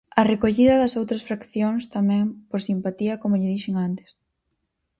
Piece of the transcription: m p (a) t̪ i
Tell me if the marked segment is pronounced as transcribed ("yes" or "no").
yes